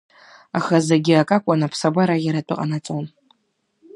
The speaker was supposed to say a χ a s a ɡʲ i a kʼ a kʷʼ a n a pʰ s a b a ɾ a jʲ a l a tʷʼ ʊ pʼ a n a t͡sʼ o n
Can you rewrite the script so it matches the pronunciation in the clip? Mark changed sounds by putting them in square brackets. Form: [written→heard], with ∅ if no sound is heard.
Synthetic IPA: a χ a [s→z] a ɡʲ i a kʼ a kʷʼ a n a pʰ s a b a ɾ a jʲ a [l→ɾ] a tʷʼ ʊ [pʼ→qʼ] a n a t͡sʼ o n